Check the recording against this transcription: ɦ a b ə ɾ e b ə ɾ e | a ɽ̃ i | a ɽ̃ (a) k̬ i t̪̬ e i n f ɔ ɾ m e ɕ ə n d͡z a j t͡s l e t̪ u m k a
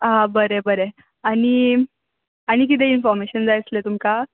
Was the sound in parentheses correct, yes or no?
no